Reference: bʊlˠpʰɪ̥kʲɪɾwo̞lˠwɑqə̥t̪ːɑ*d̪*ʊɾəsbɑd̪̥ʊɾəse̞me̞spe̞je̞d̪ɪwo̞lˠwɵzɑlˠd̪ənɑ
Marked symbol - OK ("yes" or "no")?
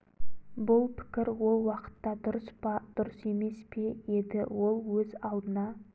yes